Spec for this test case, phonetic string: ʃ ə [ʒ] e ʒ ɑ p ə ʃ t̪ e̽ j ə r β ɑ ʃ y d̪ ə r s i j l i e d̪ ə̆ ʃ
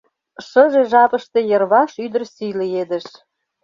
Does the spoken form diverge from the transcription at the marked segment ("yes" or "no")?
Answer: no